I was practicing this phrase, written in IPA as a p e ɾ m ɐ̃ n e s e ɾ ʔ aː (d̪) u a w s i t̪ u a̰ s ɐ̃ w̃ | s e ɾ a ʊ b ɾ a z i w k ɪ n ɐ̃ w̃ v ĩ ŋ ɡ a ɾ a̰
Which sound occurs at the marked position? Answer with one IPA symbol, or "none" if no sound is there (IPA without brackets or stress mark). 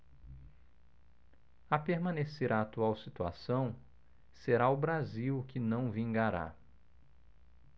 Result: t̪